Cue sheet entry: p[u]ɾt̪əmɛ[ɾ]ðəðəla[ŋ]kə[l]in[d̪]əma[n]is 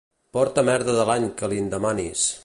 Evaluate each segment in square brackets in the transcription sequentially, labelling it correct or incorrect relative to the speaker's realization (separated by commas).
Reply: incorrect, correct, incorrect, correct, correct, correct